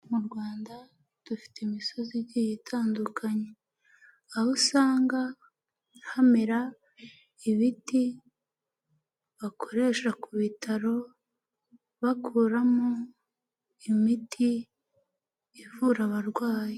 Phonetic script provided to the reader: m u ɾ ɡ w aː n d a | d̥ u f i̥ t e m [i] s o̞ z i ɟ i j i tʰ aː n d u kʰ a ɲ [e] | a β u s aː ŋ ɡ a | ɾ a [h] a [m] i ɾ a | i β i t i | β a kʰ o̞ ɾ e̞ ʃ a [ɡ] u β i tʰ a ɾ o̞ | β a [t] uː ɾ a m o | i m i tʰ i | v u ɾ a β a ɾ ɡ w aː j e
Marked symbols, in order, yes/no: yes, yes, yes, yes, no, no

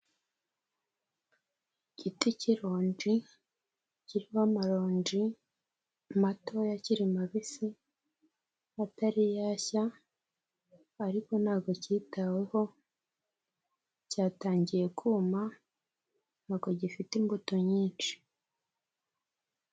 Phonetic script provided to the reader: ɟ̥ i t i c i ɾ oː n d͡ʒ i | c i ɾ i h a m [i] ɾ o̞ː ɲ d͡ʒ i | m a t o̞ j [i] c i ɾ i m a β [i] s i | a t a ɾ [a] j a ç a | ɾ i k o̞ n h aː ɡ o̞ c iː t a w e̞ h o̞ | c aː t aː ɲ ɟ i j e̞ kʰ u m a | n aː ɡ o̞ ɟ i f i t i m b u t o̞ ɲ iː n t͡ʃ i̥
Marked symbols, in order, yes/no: no, no, yes, no

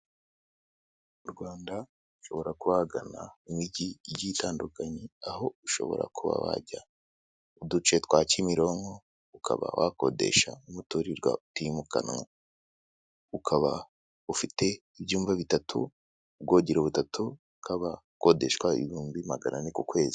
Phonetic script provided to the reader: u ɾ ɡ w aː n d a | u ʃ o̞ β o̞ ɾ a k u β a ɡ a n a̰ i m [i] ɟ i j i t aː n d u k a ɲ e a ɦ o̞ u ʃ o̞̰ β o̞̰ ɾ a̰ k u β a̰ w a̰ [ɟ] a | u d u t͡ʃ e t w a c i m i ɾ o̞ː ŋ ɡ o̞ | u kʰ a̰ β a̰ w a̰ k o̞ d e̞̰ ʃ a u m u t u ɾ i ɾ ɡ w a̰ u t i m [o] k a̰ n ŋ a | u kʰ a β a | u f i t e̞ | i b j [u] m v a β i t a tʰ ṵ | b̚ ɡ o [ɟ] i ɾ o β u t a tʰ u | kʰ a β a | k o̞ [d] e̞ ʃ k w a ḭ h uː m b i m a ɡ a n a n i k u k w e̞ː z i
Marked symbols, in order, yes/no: yes, yes, no, no, yes, yes

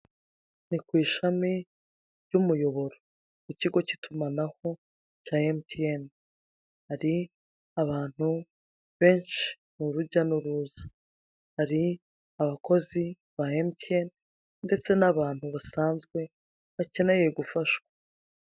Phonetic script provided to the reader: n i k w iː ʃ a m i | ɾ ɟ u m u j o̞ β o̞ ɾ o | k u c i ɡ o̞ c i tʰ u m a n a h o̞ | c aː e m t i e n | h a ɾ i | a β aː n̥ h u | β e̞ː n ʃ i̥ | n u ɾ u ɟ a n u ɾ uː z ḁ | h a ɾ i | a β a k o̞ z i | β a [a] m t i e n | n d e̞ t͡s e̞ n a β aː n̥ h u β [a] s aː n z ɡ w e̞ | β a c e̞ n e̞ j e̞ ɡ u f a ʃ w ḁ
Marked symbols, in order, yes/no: no, yes

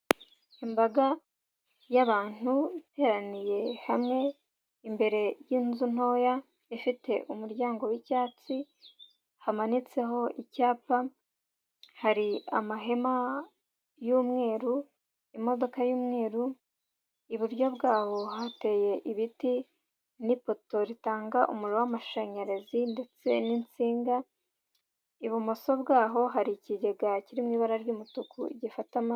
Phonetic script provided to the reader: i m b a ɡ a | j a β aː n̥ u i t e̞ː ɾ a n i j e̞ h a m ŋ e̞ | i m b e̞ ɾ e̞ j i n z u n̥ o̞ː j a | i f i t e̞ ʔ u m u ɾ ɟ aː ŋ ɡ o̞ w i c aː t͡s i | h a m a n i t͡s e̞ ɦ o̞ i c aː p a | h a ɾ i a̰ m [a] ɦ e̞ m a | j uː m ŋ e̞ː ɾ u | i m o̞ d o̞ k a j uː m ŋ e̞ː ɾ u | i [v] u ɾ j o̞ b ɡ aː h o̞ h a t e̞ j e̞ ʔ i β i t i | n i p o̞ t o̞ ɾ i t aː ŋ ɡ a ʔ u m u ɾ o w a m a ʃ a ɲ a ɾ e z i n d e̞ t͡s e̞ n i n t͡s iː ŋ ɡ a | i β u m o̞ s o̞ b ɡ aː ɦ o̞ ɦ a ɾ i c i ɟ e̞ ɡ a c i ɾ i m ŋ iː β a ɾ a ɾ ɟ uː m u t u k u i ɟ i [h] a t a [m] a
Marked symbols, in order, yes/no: yes, no, no, yes

